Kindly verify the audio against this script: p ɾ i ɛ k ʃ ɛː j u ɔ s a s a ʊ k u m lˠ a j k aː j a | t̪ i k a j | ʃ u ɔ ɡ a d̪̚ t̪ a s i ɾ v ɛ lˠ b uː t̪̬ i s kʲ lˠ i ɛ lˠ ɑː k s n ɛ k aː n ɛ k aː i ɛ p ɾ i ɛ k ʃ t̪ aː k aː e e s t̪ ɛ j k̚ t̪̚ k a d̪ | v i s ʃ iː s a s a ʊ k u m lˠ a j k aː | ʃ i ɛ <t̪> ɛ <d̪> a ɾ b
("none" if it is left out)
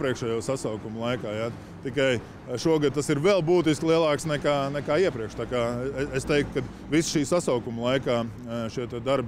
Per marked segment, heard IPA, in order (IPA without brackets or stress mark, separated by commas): t̪, d̪